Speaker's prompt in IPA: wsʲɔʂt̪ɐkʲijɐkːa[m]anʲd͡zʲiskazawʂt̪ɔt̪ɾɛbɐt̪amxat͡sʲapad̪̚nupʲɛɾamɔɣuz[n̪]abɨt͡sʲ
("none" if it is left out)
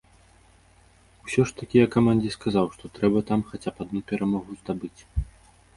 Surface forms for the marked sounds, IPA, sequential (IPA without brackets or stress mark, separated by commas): m, d̪